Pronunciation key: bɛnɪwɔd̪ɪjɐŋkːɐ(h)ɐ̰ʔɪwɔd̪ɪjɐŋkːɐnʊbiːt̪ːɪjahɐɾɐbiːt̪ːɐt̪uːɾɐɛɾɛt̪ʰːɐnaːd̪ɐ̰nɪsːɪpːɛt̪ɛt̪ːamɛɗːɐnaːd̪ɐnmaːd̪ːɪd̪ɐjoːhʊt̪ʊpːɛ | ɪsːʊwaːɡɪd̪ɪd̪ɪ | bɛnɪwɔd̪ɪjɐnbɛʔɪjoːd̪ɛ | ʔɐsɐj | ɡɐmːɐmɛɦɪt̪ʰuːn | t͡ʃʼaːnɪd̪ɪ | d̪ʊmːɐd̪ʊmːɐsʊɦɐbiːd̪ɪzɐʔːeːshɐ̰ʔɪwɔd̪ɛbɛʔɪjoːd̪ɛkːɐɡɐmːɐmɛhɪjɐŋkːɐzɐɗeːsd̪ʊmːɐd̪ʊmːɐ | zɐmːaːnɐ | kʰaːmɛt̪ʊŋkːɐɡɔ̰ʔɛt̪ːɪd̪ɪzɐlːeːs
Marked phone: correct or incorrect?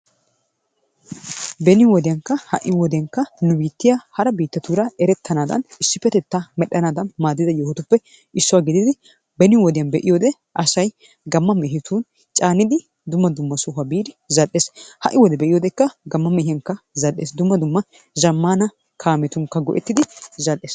correct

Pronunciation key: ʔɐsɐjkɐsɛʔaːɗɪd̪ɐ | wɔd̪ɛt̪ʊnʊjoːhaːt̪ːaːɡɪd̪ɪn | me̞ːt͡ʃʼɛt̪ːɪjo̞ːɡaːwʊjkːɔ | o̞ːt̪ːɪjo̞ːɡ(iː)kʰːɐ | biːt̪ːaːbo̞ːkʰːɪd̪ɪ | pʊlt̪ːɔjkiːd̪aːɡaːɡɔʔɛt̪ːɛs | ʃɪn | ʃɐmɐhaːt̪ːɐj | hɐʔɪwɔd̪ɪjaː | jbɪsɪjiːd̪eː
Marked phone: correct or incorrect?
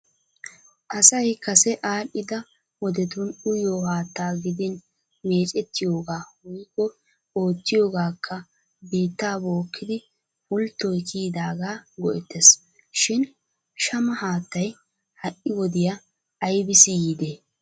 incorrect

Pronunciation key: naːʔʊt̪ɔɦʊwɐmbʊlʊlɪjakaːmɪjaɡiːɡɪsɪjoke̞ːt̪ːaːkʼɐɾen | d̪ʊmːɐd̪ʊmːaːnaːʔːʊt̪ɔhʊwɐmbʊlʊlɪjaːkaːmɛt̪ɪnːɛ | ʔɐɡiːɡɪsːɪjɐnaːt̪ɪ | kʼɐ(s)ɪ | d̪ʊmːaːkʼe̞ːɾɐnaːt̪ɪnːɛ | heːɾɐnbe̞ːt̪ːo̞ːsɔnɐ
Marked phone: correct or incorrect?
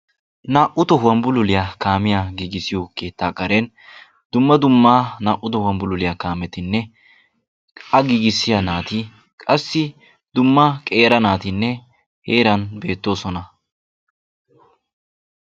incorrect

